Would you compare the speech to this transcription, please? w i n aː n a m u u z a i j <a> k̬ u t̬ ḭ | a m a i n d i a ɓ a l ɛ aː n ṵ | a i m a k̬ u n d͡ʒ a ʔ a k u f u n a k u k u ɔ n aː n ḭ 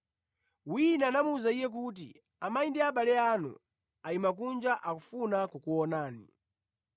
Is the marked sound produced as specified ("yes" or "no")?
no